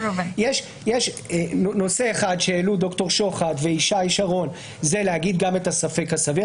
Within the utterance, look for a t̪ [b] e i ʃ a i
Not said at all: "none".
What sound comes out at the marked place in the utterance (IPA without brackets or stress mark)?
v